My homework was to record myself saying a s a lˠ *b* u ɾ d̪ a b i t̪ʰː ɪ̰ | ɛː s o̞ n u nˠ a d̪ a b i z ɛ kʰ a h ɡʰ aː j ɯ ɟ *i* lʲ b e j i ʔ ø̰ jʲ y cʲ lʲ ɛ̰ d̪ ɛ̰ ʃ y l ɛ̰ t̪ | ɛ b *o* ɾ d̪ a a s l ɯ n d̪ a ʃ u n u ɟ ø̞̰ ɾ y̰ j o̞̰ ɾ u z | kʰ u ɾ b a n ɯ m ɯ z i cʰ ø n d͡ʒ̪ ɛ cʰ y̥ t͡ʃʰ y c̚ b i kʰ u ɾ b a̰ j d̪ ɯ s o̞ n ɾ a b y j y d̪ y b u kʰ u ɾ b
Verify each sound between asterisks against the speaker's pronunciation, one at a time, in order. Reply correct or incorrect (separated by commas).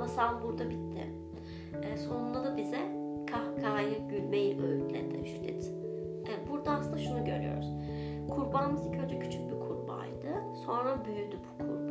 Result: correct, incorrect, incorrect